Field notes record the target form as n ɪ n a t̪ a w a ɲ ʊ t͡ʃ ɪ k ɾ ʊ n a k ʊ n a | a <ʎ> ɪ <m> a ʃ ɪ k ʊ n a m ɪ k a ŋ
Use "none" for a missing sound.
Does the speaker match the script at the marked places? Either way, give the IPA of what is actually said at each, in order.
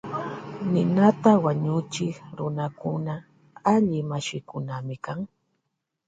ʎ, m

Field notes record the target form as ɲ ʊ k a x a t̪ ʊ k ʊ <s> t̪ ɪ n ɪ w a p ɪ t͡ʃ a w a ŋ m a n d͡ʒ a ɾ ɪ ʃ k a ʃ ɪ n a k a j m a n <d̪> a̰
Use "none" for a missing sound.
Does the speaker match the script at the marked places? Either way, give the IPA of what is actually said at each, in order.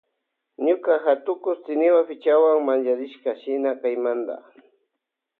s, d̪

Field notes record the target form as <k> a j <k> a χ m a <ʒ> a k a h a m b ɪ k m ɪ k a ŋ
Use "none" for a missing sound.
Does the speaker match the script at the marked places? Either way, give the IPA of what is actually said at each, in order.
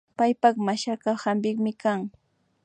p, p, ʃ

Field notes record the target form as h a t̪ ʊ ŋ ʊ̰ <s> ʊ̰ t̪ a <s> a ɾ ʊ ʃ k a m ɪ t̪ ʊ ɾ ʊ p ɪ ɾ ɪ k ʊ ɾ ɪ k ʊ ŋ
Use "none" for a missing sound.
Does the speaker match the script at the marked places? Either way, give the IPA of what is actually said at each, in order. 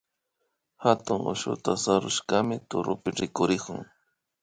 ʃ, s

